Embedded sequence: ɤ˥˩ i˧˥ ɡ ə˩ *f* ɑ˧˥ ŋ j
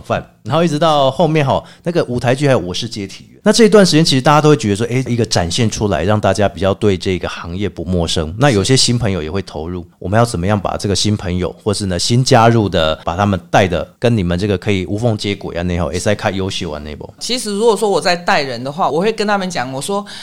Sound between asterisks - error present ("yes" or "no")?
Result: yes